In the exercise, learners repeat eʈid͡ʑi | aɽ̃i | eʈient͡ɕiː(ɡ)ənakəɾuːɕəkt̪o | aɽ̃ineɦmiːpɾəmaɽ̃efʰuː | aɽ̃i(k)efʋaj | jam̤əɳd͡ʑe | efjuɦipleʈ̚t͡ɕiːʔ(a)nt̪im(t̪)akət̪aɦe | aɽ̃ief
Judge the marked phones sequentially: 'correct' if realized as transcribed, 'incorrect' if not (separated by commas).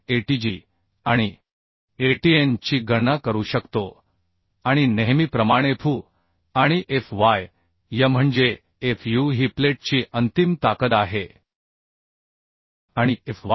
correct, incorrect, incorrect, correct